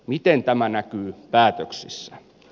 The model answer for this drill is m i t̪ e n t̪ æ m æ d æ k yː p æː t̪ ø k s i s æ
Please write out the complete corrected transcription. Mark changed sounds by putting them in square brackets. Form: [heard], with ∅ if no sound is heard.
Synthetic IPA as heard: m i t̪ e n t̪ æ m æ [n] æ k yː p æː t̪ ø k s i [sː] æ